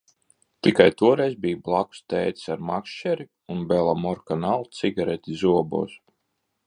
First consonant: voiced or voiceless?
voiceless